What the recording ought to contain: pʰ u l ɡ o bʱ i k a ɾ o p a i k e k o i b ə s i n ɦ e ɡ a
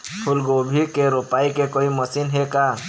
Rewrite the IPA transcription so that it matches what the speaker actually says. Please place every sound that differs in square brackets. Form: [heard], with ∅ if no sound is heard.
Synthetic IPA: pʰ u l ɡ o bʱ i k [e] ɾ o p a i k e k o i [m] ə s i n ɦ e [k] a